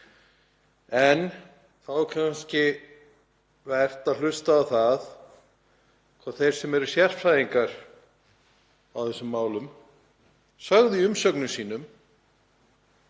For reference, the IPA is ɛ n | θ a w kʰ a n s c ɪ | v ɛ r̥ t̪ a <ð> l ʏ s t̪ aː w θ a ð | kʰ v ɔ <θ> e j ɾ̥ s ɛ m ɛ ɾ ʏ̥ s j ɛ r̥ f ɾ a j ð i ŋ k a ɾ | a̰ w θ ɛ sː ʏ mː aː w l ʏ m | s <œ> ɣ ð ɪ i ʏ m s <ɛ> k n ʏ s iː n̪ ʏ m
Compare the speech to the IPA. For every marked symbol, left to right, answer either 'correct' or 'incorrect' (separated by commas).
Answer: correct, correct, correct, incorrect